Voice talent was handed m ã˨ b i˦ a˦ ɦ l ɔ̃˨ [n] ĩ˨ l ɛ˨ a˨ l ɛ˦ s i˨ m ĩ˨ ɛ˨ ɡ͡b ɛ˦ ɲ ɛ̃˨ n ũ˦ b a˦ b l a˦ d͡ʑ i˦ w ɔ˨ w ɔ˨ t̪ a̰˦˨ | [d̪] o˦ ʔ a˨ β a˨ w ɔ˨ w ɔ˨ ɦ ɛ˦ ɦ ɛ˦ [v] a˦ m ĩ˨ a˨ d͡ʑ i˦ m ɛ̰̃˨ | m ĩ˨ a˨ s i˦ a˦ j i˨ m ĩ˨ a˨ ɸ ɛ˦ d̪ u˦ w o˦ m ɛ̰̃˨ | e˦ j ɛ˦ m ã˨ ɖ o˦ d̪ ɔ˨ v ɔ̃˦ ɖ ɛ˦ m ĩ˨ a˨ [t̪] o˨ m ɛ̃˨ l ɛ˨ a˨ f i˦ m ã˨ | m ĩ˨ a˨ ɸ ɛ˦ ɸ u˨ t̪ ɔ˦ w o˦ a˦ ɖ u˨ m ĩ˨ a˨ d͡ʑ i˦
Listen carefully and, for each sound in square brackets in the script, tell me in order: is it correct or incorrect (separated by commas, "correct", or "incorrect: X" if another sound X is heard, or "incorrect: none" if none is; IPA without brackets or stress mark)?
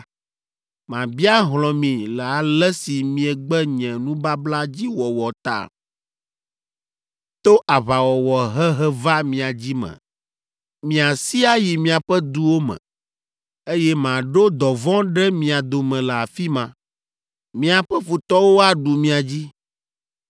incorrect: m, incorrect: t̪, correct, incorrect: d̪